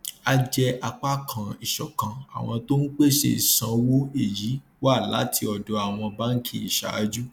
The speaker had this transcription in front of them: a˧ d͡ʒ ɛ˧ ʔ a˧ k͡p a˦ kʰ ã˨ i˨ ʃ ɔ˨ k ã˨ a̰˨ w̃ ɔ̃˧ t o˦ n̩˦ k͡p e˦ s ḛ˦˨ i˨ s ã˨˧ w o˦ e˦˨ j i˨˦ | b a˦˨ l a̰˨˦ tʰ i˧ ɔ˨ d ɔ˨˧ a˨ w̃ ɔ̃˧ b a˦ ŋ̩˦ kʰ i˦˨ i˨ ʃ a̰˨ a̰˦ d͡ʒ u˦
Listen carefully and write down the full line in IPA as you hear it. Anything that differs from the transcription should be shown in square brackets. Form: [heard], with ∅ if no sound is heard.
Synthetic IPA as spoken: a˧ d͡ʒ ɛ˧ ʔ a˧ k͡p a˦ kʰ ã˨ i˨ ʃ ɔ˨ k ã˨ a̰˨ w̃ ɔ̃˧ t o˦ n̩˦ k͡p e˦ [ʃ] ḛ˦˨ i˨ s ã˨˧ w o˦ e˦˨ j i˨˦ | [w] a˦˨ l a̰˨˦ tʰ i˧ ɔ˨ d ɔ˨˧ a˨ w̃ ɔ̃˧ b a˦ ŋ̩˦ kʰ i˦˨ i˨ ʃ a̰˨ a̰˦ d͡ʒ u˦